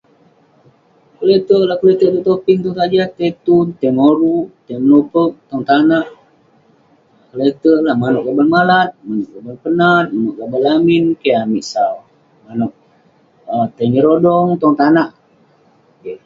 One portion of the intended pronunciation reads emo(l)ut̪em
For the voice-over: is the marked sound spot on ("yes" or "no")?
no